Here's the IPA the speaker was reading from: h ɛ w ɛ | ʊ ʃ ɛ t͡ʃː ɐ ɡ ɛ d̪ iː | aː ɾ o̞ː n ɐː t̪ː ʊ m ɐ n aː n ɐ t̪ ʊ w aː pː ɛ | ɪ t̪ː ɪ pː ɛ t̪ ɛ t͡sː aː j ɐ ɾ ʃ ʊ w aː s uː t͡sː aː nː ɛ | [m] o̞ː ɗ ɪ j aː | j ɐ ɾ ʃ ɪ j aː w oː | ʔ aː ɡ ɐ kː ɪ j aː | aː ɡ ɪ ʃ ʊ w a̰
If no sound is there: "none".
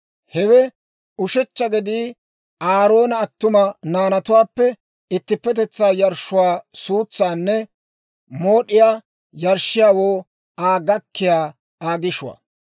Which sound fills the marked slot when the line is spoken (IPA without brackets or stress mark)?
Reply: m